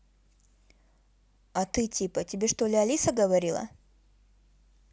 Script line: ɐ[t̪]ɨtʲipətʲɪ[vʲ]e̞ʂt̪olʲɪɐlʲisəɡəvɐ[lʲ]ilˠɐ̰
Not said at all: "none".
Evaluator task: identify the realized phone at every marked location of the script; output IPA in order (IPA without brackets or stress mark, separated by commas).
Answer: t̪, bʲ, ɾʲ